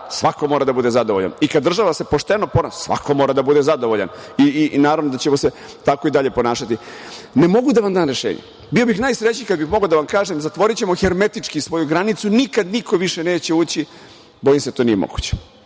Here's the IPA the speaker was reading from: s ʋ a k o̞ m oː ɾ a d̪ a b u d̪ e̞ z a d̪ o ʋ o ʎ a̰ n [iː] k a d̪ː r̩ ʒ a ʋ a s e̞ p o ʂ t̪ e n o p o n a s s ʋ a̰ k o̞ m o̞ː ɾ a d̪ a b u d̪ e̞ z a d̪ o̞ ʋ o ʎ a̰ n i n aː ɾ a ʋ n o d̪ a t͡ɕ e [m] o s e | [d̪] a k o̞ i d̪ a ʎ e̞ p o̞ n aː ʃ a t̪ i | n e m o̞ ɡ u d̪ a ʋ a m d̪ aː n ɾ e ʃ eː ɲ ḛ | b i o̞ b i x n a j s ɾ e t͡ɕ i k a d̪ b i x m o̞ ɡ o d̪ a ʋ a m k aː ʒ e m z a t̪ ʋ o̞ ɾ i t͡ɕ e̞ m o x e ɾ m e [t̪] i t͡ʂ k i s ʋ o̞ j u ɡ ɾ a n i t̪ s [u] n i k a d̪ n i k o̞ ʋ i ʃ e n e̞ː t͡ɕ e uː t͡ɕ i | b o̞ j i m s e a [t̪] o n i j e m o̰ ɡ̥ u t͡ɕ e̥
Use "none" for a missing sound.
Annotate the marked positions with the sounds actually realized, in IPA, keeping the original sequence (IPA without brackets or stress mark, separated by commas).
i, m, t̪, t̪, u, t̪